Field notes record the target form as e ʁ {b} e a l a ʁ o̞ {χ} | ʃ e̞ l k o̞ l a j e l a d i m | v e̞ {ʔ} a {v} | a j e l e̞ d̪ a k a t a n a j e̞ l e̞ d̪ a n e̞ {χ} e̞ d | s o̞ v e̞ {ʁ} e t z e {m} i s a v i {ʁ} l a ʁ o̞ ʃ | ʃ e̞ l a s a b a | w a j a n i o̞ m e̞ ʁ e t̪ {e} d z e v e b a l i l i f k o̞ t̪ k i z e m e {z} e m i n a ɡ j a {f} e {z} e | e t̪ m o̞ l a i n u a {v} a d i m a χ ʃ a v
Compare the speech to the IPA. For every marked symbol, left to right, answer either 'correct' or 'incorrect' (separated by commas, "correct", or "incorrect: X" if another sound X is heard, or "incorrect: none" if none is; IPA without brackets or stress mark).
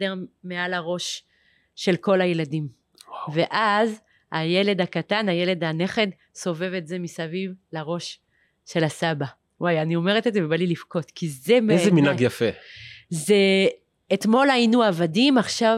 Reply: incorrect: m, incorrect: ʃ, correct, incorrect: z, correct, incorrect: v, correct, incorrect: v, correct, correct, correct, correct, correct